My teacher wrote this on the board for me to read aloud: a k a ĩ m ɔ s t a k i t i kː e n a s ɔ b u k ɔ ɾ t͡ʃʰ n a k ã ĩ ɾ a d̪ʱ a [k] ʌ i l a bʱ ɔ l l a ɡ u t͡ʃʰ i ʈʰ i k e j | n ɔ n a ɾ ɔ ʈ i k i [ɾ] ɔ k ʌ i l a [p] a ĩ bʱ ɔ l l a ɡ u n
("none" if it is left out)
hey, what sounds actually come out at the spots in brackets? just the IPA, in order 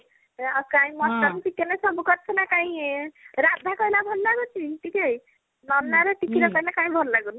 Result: k, ɾ, k

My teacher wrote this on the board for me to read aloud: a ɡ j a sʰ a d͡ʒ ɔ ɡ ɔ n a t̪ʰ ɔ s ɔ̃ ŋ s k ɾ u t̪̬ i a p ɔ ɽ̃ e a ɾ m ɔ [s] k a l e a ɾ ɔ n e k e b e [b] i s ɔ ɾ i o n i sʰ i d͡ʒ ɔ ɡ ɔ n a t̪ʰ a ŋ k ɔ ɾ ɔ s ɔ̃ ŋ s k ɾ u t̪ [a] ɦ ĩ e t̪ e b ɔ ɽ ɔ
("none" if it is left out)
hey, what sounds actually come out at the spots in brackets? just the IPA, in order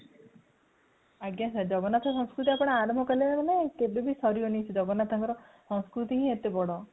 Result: none, b, i

